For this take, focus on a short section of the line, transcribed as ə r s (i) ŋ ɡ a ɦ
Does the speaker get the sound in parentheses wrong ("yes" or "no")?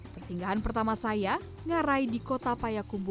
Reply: no